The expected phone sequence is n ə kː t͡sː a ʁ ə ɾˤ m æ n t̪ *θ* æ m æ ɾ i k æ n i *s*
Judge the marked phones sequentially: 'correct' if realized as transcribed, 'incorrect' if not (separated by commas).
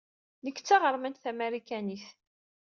correct, incorrect